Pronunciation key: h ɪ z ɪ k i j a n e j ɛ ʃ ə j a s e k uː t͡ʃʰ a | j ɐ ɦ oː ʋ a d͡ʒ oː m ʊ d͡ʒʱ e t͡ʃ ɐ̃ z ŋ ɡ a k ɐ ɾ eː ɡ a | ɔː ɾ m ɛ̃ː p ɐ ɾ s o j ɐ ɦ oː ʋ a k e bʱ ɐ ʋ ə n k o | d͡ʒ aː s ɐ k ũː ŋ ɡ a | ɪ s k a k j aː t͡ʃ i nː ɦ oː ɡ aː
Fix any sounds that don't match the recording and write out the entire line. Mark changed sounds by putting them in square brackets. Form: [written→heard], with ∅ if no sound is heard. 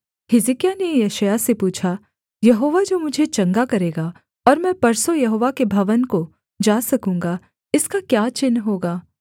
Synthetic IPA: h ɪ z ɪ k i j a n e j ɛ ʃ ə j a s e [k→p] uː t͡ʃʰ a | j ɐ ɦ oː ʋ a d͡ʒ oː m ʊ d͡ʒʱ e t͡ʃ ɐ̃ [z→∅] ŋ ɡ a k ɐ ɾ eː ɡ a | ɔː ɾ m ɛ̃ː p ɐ ɾ s o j ɐ ɦ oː ʋ a k e bʱ ɐ ʋ ə n k o | d͡ʒ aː s ɐ k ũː ŋ ɡ a | ɪ s k a k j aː t͡ʃ [i→ɪ] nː ɦ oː ɡ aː

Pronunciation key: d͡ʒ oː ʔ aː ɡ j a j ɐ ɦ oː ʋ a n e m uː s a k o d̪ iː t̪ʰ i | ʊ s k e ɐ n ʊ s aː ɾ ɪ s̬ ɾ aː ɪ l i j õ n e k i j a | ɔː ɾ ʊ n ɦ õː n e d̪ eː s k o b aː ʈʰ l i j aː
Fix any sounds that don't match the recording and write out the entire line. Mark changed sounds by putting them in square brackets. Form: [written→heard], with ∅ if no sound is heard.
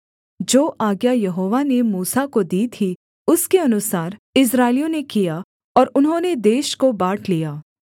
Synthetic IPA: d͡ʒ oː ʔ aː ɡ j a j ɐ ɦ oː ʋ a n e m uː s a k o d̪ iː t̪ʰ i | ʊ s k e ɐ n ʊ s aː ɾ ɪ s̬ ɾ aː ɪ l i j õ n e k i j a | ɔː ɾ ʊ n ɦ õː n e d̪ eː [s→ʃ] k o b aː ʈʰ l i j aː

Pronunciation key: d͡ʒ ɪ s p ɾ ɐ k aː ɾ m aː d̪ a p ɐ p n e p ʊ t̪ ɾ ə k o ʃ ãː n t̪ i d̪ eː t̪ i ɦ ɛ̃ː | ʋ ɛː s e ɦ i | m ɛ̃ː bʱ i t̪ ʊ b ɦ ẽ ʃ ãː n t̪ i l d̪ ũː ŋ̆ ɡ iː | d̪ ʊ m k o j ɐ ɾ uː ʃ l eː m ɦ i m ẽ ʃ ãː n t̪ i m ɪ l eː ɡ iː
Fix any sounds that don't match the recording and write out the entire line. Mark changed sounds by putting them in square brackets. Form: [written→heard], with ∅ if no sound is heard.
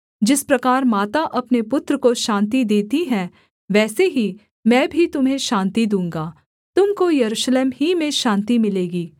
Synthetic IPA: d͡ʒ ɪ s p ɾ ɐ k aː ɾ m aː [d̪→t̪] a [p→ʔ] ɐ p n e p ʊ t̪ ɾ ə k o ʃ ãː n t̪ i d̪ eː t̪ i ɦ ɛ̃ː | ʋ ɛː s e ɦ i | m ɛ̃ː bʱ i t̪ ʊ [b→m] ɦ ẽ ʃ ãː n t̪ i [l→∅] d̪ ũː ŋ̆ ɡ [iː→aː] | [d̪→t̪] ʊ m k o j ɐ ɾ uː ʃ l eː m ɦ i m ẽ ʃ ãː n t̪ i m ɪ l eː ɡ iː

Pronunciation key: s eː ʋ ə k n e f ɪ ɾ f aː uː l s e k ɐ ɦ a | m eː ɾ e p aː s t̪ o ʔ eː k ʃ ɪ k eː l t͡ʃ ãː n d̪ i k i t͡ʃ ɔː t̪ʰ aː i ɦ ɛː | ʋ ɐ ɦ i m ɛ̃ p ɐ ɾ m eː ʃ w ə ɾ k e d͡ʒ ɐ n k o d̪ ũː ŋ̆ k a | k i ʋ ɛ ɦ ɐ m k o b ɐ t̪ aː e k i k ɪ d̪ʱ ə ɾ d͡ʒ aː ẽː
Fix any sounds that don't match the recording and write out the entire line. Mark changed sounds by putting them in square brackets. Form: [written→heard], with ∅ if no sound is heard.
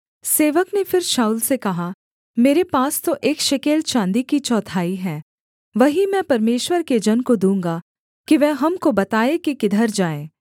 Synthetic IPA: s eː ʋ ə k n e f ɪ ɾ [f→ʃ] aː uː l s e k ɐ ɦ a | m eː ɾ e p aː s t̪ o ʔ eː k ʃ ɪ k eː l t͡ʃ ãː n d̪ i k i t͡ʃ ɔː t̪ʰ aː i ɦ ɛː | ʋ ɐ ɦ i m ɛ̃ p ɐ ɾ m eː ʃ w ə ɾ k e d͡ʒ ɐ n k o d̪ ũː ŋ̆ [k→ɡ] a | k i ʋ ɛ ɦ ɐ m k o b ɐ t̪ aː e k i k ɪ d̪ʱ ə ɾ d͡ʒ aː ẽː

